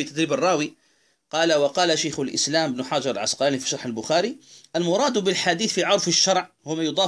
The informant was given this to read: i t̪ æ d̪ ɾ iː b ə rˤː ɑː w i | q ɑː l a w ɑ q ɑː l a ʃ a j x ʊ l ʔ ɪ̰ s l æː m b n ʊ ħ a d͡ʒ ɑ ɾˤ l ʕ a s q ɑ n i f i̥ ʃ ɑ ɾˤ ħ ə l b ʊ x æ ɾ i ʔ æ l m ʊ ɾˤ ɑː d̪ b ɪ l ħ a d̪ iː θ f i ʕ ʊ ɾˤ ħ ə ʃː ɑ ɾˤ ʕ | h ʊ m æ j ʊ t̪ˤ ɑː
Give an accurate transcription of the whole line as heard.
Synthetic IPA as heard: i t̪ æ d̪ ɾ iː b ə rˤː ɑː w i | q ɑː l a w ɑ q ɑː l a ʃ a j x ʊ l ʔ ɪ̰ s l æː m b n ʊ ħ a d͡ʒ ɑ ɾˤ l ʕ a s q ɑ n i f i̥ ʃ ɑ ɾˤ ħ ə l b ʊ x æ ɾ i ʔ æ l m ʊ ɾˤ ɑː d̪ b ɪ l ħ a d̪ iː θ f i ʕ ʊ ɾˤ f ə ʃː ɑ ɾˤ ʕ | h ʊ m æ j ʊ d̪ˤ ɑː